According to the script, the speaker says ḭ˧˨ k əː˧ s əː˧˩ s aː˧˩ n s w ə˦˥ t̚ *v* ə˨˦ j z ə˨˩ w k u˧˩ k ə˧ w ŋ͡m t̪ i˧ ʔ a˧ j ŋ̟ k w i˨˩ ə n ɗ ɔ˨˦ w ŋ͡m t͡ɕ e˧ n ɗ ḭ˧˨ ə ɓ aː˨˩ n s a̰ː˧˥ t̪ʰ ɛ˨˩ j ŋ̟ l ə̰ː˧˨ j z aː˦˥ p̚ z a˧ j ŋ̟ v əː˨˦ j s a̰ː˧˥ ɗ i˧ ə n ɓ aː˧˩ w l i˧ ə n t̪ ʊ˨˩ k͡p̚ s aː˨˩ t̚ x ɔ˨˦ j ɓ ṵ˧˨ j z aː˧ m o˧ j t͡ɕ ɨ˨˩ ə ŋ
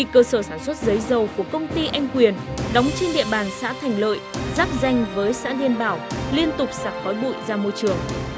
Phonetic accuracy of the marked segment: incorrect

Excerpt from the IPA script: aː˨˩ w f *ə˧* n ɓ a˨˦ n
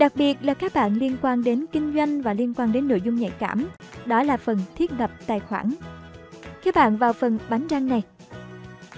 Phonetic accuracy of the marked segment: incorrect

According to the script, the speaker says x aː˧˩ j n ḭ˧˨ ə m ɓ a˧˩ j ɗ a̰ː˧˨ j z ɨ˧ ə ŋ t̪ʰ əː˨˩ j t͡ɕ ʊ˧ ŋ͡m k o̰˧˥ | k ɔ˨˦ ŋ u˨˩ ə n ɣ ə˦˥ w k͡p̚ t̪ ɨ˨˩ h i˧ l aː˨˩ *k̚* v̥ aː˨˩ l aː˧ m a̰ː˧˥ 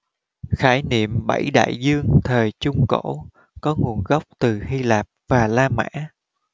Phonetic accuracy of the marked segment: incorrect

